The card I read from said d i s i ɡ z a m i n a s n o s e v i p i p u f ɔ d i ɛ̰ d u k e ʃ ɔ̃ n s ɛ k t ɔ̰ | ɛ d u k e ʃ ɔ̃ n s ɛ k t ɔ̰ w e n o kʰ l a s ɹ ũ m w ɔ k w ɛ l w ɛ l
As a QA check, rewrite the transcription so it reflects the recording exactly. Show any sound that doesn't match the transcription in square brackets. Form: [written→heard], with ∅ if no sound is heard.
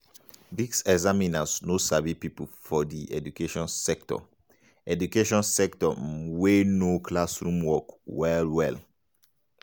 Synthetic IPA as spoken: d i s [i→ɛ] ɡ z a m i n a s n o s [e→a] v i p i p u f ɔ d i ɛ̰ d u k e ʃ ɔ̃ n s ɛ k t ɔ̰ | ɛ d u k e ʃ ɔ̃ n s ɛ k t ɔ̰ w e n o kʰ l a s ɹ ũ m w ɔ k w ɛ l w ɛ l